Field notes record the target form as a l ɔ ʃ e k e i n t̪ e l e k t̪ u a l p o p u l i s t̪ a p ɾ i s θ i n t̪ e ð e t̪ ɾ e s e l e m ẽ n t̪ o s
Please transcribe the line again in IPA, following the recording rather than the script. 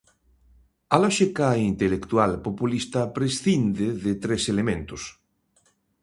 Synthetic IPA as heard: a l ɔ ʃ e k a i n t̪ e l e k t̪ u a l p o p u l i s t̪ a p ɾ e s θ i n d̪ e ð e t̪ ɾ e s e l e m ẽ n t̪ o s